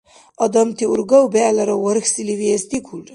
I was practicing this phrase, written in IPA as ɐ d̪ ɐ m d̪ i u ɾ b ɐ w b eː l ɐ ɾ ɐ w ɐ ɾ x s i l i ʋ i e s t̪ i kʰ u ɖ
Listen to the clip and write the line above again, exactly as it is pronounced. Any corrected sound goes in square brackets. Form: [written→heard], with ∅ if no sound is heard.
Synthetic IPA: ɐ d̪ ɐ m [d̪→t̪] i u ɾ [b→ɡ] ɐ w b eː l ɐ ɾ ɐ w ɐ ɾ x s i l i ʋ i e s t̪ i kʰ u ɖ